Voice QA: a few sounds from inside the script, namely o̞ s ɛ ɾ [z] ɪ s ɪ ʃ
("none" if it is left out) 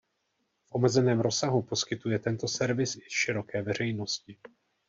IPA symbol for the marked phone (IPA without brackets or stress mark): v